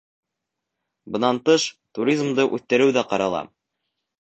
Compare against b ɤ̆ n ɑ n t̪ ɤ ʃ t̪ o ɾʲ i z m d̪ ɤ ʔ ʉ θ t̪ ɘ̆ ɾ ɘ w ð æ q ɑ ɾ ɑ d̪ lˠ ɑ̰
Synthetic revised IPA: b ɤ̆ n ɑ n t̪ ɤ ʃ t̪ u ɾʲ i z m d̪ ɤ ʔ ʉ θ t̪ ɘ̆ ɾ ɘ w ð æ q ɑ ɾ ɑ lˠ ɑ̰